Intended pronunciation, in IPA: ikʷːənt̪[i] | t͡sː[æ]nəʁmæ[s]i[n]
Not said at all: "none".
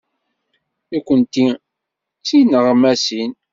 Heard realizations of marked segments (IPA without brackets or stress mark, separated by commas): i, i, s, n